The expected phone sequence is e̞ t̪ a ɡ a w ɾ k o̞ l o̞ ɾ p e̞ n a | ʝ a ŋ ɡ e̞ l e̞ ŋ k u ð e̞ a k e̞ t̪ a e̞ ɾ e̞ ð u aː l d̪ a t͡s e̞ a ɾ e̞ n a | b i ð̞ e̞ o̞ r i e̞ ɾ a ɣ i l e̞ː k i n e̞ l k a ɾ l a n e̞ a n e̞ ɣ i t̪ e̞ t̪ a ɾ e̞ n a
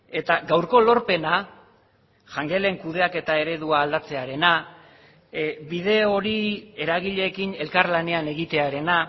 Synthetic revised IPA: e̞ t̪ a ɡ a w ɾ k o̞ l o̞ ɾ p e̞ n a | ʝ a ŋ ɡ e̞ l e̞ ŋ k u ð e̞ a k e̞ t̪ a e̞ ɾ e̞ ð u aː l d̪ a t͡s e̞ a ɾ e̞ n a | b i ð̞ e̞ o̞ ɾ i e̞ ɾ a ɣ i ʎ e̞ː k i n e̞ l k a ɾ l a n e̞ a n e̞ ɣ i t̪ e̞ a ɾ e̞ n a